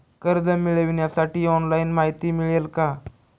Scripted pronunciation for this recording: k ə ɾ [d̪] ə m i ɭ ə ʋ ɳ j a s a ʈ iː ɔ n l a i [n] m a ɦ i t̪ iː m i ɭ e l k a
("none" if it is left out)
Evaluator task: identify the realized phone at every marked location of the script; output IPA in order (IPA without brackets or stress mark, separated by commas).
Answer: d̪, n